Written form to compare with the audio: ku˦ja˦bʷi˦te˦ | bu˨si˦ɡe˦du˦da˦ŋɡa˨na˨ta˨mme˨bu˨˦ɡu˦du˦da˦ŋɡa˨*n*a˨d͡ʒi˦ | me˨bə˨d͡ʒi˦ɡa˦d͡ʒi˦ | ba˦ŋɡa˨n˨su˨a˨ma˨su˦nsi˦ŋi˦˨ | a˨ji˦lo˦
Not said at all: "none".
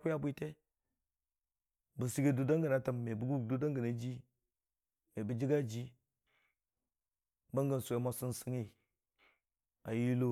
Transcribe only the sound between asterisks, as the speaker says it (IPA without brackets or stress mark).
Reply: n